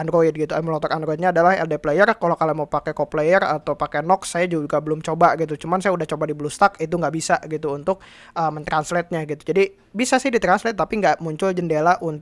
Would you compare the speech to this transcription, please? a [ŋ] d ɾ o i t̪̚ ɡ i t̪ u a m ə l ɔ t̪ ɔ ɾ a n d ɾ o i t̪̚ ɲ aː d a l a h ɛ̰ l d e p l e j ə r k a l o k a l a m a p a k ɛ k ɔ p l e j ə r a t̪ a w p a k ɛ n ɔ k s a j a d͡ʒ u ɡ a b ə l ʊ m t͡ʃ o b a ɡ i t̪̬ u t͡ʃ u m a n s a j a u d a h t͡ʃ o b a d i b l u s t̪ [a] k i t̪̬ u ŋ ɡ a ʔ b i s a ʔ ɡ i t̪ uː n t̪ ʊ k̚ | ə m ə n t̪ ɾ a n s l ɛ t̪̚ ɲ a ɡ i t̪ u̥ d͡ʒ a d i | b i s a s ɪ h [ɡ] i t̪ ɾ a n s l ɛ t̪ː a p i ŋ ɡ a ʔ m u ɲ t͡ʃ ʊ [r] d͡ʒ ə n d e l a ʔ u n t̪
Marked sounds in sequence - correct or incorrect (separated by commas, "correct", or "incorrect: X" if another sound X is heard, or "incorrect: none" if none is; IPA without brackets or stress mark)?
incorrect: n, correct, incorrect: d, incorrect: l